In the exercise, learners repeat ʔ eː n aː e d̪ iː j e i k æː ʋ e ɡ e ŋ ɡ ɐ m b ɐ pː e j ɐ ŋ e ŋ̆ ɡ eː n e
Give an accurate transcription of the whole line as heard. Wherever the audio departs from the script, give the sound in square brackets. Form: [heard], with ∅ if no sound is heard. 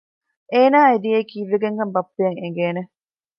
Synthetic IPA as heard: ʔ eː n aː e d̪ [i] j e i k [iː] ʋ e ɡ e ŋ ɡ ɐ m b ɐ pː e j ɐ ŋ e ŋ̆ ɡ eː n e